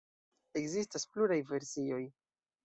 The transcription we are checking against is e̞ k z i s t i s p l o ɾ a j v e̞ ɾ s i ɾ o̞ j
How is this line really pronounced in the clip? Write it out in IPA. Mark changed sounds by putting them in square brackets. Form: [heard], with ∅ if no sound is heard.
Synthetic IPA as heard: e̞ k z i s t [a] s p l [u] ɾ a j v e̞ ɾ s i [∅] o̞ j